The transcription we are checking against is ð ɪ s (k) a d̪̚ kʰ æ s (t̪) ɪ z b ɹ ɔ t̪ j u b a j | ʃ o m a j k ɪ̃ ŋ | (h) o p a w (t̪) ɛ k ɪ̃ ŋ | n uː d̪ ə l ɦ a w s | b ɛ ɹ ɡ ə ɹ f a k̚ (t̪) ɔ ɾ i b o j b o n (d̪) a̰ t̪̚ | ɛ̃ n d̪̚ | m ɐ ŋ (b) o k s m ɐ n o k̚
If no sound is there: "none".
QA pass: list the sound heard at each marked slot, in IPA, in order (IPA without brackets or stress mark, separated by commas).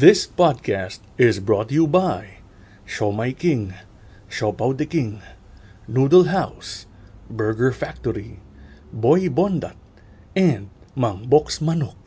p, t̪, ʃ, d̪, t̪, d̪, b